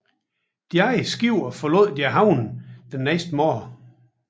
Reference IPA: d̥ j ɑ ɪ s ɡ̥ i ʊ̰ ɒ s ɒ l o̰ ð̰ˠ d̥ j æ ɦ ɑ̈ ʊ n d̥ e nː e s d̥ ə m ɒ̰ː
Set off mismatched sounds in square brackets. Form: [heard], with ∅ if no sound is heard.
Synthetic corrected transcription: d̥ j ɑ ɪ s ɡ̥ i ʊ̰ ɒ [f] ɒ l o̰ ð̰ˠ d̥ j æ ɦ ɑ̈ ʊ n d̥ e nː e s d̥ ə m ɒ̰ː